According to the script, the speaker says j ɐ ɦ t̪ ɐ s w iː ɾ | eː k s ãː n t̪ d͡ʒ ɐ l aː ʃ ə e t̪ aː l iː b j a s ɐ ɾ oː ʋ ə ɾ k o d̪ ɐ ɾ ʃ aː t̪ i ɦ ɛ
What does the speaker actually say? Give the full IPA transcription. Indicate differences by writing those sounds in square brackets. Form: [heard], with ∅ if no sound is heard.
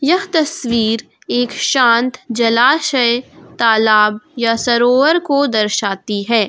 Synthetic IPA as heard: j ɐ ɦ t̪ ɐ s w iː ɾ | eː k [ʃ] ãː n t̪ d͡ʒ ɐ l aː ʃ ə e t̪ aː l [aː] b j a s ɐ ɾ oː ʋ ə ɾ k o d̪ ɐ ɾ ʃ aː t̪ i ɦ [ɛː]